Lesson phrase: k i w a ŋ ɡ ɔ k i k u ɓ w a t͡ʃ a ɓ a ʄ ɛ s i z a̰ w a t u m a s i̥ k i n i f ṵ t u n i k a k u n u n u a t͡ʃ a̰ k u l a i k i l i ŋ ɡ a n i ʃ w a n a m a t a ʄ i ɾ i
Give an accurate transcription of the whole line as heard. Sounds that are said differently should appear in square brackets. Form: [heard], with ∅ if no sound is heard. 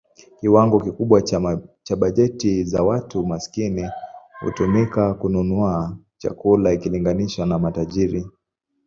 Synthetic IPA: k i w a ŋ ɡ ɔ k i k u ɓ w a t͡ʃ a ɓ a ʄ ɛ [t] i z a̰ w a t u m a s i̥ k i n i [h] ṵ t u [m] i k a k u n u n u a t͡ʃ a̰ k u l a i k i l i ŋ ɡ a n i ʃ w a n a m a t a ʄ i ɾ i